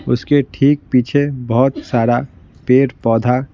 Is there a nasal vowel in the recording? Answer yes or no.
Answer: no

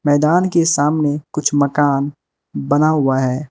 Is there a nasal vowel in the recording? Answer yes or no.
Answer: no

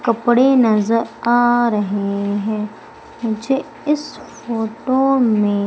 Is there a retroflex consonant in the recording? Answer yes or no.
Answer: yes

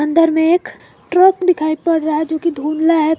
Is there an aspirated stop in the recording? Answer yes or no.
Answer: yes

